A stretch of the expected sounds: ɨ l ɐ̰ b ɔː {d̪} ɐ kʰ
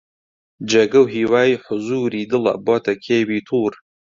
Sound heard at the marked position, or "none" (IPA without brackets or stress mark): t̪